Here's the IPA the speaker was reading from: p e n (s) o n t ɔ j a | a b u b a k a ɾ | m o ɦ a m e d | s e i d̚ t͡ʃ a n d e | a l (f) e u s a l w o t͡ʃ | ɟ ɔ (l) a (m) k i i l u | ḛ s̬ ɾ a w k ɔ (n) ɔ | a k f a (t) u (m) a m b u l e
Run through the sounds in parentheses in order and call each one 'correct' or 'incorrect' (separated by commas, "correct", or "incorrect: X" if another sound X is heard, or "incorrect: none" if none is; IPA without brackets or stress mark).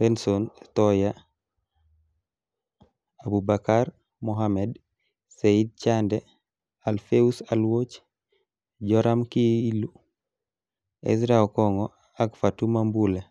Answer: correct, correct, incorrect: ɾ, correct, incorrect: ŋ, correct, correct